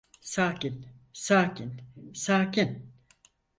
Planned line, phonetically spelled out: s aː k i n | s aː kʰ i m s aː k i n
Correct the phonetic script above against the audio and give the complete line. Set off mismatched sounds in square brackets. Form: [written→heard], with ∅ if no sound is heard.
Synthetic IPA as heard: s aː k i n | s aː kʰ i [m→n] s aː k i n